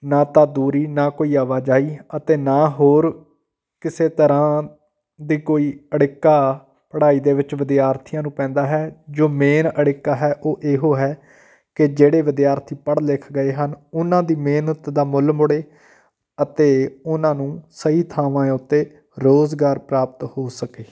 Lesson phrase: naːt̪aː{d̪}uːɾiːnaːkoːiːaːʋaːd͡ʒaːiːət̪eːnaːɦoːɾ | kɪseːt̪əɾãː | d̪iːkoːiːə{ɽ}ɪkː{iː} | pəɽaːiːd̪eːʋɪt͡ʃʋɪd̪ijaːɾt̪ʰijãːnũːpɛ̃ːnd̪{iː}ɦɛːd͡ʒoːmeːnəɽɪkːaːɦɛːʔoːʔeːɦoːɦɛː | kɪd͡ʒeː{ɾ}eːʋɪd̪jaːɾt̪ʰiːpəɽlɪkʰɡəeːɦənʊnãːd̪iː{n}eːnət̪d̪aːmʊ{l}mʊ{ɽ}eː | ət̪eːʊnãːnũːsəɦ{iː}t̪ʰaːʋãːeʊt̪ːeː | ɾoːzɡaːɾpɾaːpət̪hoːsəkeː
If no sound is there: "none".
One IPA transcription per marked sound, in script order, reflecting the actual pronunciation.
d̪, ɽ, aː, aː, ɽ, m, l, ɽ, iː

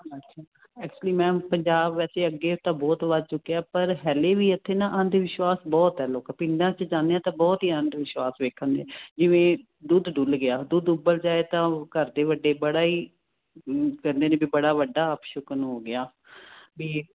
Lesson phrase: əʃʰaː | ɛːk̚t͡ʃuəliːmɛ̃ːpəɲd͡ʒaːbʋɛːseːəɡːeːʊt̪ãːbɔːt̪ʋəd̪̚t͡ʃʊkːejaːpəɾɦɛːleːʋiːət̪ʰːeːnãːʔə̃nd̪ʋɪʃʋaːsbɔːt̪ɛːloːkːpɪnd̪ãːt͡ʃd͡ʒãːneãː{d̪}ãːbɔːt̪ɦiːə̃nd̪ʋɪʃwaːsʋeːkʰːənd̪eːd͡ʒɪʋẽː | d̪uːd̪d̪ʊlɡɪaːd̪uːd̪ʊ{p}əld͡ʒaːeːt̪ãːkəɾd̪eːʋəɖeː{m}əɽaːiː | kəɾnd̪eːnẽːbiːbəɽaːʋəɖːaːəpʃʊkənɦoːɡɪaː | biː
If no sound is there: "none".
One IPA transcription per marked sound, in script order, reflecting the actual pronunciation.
t̪, b, b

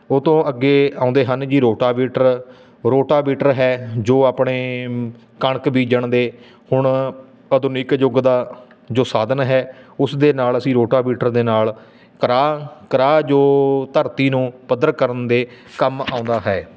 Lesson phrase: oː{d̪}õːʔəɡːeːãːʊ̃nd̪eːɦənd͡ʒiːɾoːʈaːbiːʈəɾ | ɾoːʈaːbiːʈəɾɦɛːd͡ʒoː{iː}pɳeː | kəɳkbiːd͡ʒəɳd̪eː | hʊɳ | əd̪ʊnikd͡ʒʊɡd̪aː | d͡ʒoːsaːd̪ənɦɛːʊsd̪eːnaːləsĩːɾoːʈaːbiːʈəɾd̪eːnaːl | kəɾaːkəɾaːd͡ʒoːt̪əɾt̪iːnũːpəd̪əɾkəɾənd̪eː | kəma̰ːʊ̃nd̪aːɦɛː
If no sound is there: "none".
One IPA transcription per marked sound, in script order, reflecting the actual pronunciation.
t̪, aː

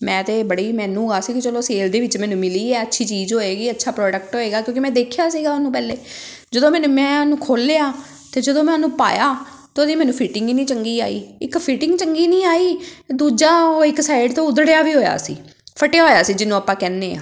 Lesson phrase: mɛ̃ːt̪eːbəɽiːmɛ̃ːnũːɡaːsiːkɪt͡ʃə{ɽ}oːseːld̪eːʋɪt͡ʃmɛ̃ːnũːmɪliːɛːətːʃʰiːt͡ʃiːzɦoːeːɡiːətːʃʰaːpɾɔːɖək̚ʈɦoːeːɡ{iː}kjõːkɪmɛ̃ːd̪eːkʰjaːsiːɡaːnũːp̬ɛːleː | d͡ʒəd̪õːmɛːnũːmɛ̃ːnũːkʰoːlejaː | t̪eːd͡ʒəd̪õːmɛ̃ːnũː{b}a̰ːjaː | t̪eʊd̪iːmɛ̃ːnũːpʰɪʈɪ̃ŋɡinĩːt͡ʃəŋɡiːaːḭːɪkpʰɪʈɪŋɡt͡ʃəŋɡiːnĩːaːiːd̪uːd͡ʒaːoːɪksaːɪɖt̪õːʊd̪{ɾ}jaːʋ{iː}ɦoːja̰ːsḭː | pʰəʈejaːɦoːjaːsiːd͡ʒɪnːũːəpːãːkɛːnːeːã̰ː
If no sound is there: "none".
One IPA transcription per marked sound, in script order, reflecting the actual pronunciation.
l, aː, p, ɽ, iː

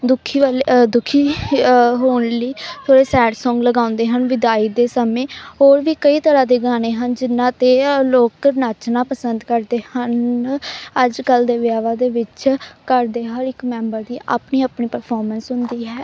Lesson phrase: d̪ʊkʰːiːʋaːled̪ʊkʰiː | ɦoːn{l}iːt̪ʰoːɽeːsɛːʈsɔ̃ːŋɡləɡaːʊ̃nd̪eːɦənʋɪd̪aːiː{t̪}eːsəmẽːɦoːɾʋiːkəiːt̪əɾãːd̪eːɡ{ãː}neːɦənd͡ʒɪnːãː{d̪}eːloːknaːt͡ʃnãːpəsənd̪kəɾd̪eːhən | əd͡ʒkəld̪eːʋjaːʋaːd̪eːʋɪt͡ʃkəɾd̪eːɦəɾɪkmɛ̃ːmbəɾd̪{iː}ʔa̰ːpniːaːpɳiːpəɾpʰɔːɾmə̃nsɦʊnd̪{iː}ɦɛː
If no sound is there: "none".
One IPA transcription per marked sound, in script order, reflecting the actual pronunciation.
l, d̪, aː, t̪, iː, iː

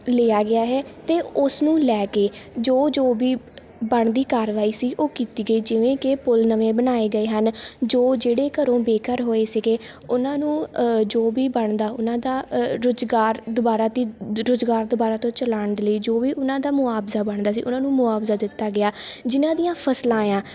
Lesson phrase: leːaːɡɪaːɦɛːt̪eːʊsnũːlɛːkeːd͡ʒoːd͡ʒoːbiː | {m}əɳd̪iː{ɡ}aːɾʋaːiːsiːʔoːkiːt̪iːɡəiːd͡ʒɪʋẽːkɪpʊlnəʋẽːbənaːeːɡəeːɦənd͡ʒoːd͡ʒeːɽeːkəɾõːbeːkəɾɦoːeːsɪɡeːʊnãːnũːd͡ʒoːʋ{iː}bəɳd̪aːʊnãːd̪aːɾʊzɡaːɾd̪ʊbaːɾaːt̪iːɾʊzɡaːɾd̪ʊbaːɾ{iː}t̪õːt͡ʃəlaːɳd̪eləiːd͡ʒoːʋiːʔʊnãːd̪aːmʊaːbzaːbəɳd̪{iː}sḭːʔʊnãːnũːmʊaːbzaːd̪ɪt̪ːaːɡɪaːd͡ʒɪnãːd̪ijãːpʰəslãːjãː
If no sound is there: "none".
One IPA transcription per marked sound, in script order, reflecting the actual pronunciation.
b, k, iː, aː, aː

